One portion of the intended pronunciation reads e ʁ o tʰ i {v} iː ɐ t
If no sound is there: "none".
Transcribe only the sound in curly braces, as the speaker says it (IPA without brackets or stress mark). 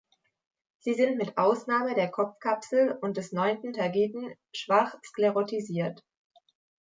z